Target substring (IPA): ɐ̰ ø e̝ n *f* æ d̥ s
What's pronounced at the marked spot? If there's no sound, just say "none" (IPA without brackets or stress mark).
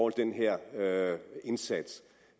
s